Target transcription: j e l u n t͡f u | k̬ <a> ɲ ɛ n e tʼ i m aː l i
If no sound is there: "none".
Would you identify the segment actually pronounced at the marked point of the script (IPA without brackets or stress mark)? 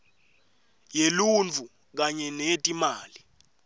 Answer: a